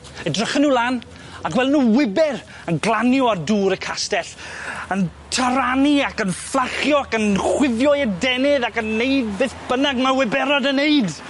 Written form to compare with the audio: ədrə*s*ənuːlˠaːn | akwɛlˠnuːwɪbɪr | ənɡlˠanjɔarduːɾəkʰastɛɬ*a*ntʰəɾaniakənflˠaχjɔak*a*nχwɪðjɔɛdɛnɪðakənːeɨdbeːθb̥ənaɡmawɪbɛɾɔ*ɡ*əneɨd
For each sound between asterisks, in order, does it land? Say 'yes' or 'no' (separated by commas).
no, no, no, no